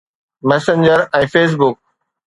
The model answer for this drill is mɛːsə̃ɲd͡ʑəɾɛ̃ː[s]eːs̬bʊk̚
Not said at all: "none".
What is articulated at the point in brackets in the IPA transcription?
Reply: f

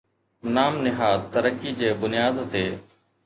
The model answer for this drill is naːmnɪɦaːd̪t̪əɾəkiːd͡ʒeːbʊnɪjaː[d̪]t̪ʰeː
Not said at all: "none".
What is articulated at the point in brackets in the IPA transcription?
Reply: d̪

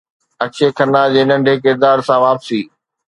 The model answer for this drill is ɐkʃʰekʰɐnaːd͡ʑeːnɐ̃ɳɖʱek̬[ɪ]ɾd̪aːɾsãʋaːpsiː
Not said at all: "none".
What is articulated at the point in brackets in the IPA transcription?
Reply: ɪ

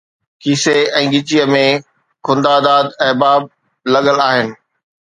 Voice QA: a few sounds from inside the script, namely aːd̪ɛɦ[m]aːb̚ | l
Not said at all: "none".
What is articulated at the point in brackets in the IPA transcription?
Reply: b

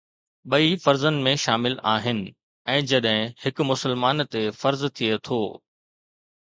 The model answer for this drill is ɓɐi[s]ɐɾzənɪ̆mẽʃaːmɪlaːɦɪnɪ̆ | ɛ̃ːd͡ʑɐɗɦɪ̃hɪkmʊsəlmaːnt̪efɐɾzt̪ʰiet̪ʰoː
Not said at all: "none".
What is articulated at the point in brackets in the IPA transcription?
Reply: f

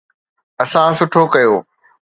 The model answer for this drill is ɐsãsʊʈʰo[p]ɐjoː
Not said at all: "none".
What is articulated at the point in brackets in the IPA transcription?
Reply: k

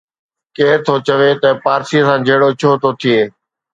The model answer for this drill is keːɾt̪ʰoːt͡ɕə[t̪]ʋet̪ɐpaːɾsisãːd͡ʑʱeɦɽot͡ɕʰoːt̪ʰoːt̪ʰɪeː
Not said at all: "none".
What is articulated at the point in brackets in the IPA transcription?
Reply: none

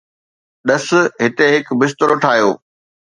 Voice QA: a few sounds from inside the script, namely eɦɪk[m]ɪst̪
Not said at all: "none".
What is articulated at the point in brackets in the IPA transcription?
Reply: b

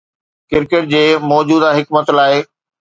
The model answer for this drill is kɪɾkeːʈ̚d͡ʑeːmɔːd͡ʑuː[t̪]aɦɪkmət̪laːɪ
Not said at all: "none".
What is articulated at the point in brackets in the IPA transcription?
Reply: d̪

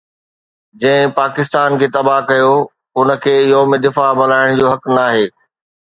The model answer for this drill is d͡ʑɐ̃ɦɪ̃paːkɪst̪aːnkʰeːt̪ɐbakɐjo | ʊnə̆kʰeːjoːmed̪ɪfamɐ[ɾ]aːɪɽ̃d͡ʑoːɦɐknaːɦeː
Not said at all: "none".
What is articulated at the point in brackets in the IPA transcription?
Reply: l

